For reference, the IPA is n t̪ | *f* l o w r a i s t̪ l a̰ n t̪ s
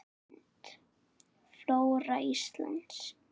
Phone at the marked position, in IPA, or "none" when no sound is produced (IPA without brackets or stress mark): f